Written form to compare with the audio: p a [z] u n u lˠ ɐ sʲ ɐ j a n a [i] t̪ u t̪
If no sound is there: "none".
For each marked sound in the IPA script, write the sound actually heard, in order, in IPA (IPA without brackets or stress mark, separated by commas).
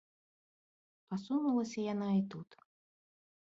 s, i